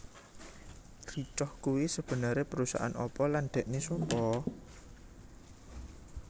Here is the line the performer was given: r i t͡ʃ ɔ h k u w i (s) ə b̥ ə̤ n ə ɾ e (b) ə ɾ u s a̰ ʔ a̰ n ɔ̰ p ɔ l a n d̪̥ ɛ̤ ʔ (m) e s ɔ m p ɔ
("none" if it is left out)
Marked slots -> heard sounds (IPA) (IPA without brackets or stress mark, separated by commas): s, p, n